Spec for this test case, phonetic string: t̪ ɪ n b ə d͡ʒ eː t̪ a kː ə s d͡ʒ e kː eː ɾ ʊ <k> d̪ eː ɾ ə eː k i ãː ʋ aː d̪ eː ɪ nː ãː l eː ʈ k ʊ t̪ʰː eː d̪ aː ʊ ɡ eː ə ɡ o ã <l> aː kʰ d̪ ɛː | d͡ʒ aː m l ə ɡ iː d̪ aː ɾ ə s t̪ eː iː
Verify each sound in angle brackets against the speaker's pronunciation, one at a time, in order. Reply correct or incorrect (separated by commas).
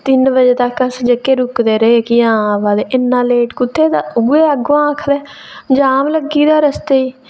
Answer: correct, incorrect